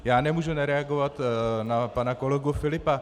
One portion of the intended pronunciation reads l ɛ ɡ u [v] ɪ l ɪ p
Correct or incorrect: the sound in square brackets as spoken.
incorrect: f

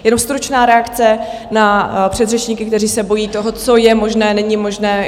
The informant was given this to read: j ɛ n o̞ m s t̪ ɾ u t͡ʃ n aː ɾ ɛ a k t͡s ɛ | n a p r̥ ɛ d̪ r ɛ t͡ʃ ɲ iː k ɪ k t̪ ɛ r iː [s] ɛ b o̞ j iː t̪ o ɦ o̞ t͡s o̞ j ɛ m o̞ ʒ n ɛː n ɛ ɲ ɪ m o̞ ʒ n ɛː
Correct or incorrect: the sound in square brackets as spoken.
correct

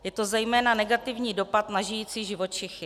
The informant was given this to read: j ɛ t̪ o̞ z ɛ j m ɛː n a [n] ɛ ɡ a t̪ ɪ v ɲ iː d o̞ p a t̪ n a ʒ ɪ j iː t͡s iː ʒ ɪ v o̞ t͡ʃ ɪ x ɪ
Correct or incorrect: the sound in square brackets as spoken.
correct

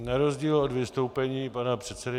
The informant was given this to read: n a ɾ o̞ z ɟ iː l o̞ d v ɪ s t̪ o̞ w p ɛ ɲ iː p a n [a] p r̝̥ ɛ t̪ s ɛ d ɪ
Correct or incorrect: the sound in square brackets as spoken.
correct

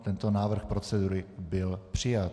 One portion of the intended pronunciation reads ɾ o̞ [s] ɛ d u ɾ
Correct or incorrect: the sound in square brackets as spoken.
incorrect: t͡s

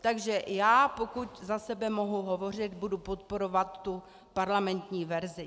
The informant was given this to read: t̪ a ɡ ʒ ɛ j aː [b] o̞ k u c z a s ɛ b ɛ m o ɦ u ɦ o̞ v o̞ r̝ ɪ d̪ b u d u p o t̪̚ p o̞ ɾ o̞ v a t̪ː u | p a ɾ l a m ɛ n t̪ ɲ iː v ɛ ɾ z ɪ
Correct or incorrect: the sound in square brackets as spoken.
incorrect: p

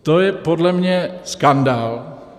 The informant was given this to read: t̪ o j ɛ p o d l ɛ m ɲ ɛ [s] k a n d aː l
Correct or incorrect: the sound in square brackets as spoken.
correct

